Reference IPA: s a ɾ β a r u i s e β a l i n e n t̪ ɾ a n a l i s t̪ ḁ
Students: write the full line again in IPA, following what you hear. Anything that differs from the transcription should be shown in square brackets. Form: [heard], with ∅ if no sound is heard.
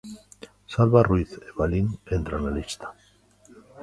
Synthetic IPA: s a [l] β a r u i [θ] e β a l i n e n t̪ ɾ a n a l i s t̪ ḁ